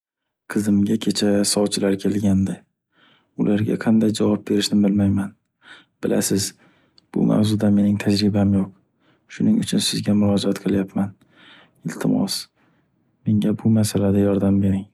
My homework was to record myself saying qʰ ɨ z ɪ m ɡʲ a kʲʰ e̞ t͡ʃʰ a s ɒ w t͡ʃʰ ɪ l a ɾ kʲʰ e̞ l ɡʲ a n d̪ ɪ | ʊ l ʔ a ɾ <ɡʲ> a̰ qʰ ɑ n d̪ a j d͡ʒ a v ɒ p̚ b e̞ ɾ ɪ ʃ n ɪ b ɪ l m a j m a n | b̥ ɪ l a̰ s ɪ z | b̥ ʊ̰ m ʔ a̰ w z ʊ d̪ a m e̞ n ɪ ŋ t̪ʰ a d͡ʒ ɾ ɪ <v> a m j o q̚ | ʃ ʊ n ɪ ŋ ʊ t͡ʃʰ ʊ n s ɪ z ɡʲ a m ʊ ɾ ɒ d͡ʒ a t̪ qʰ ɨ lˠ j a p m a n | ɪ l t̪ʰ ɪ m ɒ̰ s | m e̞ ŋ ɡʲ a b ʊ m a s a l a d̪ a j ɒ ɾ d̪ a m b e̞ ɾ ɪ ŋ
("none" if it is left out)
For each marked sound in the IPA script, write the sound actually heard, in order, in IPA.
ɡʲ, b

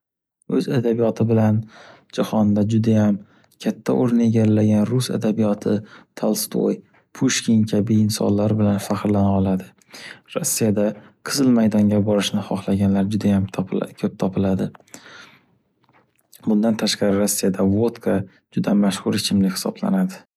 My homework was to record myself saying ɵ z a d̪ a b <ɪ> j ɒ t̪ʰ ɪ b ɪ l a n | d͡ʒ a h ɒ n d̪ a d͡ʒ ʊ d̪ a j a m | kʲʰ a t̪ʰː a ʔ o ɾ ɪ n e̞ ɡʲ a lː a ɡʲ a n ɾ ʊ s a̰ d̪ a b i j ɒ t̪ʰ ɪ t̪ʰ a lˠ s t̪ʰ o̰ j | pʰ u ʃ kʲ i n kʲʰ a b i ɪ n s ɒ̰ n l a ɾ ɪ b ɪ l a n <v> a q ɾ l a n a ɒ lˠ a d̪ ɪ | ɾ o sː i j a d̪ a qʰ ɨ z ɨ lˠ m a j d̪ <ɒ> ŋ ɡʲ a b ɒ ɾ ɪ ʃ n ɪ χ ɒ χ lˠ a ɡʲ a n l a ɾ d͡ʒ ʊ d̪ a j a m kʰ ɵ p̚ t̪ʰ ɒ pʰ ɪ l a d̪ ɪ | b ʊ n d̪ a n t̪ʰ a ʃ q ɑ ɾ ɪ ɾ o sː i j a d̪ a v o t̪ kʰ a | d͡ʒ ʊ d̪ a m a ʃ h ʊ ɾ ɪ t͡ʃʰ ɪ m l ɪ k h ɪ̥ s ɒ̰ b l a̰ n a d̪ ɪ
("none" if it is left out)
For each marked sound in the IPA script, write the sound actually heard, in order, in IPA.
i, f, ɒ

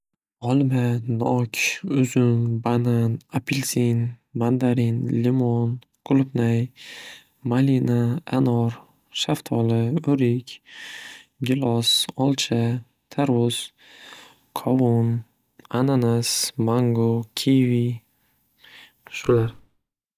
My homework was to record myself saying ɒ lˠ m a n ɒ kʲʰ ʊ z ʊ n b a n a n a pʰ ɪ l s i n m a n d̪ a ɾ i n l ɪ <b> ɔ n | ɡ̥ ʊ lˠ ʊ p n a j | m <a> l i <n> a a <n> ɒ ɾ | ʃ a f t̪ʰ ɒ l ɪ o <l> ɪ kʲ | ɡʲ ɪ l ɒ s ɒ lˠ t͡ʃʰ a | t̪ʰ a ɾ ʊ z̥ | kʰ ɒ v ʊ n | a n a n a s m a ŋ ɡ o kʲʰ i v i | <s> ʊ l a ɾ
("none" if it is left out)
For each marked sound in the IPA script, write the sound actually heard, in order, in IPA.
m, a, n, n, ɾ, ʃ

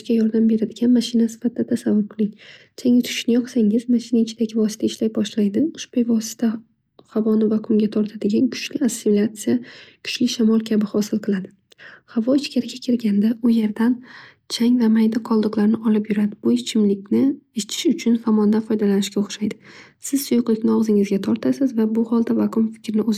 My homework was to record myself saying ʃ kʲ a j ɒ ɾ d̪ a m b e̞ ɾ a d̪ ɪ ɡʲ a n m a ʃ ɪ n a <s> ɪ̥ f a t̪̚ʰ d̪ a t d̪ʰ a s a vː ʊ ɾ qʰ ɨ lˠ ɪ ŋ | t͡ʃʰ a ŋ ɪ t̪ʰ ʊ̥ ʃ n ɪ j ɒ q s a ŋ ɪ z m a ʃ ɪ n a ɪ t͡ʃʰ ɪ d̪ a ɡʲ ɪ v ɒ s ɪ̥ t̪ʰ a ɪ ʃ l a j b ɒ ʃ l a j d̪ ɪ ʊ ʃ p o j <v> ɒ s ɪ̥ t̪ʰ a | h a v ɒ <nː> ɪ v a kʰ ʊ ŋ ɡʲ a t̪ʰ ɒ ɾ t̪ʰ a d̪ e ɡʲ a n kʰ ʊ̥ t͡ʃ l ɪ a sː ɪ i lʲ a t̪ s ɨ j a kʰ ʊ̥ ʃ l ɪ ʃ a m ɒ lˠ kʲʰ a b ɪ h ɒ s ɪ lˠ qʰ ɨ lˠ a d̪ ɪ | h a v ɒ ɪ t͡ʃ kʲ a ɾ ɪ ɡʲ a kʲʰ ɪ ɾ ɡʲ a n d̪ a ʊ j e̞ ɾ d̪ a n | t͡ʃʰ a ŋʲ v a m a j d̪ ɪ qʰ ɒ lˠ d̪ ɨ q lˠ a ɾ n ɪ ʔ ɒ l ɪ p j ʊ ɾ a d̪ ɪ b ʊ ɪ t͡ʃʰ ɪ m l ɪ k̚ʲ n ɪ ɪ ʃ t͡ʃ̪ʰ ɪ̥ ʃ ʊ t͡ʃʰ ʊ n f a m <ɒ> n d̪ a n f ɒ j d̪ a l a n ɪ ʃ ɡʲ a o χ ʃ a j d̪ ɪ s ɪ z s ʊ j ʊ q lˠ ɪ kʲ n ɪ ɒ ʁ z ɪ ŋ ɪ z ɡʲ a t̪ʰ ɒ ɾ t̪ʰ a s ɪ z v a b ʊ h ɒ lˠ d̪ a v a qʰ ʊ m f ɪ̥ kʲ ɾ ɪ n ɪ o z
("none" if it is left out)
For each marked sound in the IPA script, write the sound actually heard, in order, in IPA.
s, v, n, ɒ

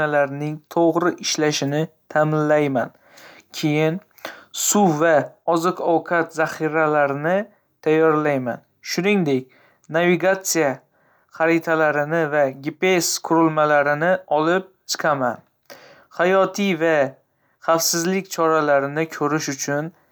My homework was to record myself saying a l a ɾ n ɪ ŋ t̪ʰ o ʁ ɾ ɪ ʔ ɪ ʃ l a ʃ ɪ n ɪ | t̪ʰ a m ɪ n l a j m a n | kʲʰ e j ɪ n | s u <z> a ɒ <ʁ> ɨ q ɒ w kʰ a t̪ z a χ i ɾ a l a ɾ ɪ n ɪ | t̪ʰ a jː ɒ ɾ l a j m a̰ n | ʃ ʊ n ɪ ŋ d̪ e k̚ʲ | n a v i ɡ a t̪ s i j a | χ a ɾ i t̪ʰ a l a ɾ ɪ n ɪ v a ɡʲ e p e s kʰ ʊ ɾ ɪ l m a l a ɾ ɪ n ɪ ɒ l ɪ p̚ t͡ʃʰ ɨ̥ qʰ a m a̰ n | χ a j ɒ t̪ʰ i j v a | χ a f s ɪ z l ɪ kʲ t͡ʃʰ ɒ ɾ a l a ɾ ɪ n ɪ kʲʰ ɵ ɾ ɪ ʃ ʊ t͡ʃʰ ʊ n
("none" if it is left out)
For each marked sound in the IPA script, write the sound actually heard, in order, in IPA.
v, z

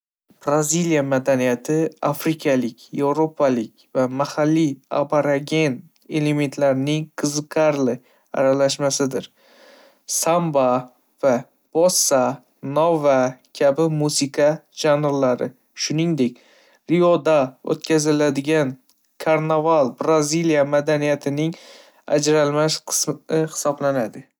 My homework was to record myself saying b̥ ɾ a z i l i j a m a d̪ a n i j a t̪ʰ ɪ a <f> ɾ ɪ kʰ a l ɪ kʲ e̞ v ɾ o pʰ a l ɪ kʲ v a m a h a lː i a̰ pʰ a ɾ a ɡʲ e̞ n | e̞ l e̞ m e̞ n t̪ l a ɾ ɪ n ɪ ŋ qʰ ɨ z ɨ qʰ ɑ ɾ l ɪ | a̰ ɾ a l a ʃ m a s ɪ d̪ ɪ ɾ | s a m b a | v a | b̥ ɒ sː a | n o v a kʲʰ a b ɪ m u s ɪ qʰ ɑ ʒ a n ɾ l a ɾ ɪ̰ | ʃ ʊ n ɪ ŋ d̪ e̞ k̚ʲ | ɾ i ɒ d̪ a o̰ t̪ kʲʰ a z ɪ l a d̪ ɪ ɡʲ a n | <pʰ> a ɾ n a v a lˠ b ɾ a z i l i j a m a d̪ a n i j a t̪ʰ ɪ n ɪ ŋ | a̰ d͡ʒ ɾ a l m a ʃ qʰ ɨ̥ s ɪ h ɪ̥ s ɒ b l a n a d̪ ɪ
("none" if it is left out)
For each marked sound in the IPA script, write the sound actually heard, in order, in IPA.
f, kʰ

